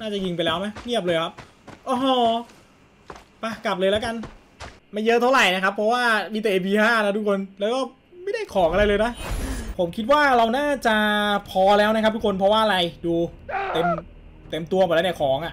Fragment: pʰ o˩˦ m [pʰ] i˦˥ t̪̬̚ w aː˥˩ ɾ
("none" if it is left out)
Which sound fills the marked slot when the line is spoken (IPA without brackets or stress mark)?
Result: kʰ